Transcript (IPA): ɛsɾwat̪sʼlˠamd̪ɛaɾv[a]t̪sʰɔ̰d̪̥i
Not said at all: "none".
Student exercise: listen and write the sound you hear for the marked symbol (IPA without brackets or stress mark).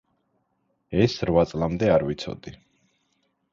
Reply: i